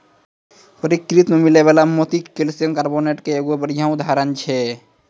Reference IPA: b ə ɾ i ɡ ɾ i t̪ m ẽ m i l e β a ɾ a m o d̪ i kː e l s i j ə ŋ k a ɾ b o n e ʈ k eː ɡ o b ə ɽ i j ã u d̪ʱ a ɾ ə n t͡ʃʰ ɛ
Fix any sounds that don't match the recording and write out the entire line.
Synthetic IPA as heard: p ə ɾ i k ɾ i t̪ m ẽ m i l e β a l a m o t̪ i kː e l s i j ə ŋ k a ɾ b o n e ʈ k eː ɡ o b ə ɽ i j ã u d̪ʱ a ɾ ə n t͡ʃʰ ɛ